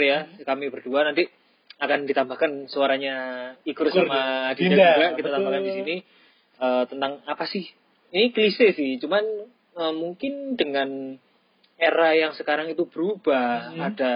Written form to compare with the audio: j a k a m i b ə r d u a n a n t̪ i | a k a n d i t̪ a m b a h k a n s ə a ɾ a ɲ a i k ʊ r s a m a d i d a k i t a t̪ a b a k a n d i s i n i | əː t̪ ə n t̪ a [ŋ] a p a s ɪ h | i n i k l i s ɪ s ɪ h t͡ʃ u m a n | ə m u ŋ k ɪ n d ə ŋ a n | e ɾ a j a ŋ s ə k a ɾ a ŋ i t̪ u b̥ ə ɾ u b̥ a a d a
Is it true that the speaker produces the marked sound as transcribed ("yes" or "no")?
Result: yes